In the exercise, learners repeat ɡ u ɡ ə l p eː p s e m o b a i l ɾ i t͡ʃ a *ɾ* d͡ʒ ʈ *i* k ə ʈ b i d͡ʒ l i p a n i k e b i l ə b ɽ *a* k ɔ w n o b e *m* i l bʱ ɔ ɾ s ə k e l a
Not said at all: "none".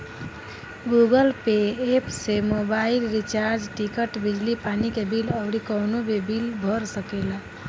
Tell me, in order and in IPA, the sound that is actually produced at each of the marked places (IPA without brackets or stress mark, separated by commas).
ɾ, i, i, b